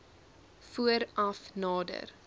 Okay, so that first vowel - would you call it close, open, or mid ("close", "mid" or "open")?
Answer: close